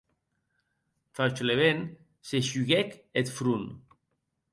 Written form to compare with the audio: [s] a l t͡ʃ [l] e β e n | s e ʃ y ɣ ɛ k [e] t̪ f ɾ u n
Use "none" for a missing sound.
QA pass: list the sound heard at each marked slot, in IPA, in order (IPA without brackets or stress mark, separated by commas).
f, l, e